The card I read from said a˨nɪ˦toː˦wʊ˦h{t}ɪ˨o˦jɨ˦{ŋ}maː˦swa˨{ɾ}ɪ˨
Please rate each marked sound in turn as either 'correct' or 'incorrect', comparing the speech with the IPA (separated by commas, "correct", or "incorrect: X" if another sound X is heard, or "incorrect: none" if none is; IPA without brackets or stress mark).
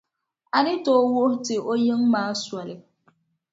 correct, correct, incorrect: l